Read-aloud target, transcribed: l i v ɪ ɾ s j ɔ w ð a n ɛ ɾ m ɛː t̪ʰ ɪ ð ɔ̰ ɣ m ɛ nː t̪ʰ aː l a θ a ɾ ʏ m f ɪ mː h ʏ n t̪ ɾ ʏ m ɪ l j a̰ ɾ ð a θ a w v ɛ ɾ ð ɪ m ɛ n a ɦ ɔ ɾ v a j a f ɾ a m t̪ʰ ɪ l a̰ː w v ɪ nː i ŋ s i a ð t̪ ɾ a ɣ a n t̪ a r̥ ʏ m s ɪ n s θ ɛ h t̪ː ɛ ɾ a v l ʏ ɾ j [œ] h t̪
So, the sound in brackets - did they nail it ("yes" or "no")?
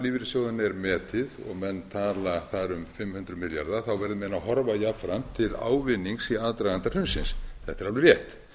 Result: no